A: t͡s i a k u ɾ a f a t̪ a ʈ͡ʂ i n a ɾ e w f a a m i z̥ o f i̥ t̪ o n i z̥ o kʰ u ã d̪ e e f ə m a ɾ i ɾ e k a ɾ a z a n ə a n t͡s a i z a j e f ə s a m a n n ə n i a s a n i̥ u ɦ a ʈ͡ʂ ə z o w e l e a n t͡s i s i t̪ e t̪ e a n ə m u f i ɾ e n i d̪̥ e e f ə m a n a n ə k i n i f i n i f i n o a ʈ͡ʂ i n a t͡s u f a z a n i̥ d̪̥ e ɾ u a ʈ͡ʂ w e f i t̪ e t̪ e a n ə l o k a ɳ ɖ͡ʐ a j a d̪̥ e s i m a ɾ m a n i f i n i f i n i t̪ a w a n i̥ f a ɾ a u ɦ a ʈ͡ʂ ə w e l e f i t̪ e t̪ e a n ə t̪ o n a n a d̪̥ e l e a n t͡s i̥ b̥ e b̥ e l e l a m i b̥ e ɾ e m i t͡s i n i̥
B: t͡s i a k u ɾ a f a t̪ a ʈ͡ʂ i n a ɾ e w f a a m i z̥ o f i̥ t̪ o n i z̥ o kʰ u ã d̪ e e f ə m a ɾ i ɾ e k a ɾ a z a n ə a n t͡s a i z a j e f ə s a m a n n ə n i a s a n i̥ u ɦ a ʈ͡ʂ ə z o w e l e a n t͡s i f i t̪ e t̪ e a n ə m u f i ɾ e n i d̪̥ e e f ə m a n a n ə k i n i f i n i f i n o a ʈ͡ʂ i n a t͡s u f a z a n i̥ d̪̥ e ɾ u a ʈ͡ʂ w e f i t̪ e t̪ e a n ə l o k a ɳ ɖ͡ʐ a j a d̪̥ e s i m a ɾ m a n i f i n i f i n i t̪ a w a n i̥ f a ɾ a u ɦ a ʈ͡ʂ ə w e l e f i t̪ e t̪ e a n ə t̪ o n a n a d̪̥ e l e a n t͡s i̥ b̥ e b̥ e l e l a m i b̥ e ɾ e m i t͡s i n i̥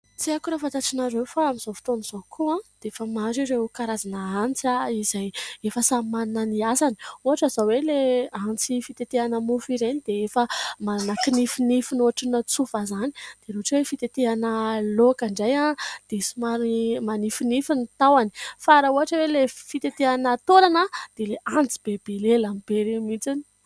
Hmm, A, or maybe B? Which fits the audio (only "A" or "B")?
B